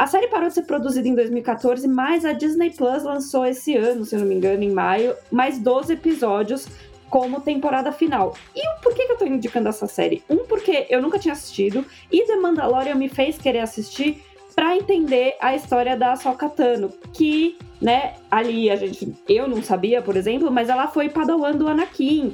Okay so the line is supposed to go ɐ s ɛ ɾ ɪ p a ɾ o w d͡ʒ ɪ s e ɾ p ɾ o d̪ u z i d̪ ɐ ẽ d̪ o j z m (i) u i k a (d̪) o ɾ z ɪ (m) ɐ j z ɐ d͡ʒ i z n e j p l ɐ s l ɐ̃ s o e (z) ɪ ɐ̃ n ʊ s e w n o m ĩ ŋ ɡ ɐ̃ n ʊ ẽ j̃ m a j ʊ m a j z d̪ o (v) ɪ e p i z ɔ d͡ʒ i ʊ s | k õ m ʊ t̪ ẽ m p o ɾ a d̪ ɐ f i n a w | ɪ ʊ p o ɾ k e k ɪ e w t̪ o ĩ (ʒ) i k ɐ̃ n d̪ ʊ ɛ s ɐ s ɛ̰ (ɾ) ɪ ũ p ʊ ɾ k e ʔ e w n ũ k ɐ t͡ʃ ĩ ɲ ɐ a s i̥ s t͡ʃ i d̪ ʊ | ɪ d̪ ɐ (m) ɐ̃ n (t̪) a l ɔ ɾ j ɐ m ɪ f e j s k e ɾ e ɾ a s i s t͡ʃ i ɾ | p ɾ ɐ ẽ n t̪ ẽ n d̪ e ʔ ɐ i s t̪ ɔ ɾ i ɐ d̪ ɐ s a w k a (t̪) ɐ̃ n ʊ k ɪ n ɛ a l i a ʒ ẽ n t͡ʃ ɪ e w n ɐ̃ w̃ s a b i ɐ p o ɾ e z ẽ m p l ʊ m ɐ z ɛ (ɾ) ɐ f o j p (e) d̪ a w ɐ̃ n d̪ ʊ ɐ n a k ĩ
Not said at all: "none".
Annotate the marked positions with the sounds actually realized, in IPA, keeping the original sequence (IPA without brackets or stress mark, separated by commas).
i, t̪, m, s, z, d͡ʒ, ɾ, m, d̪, t̪, l, a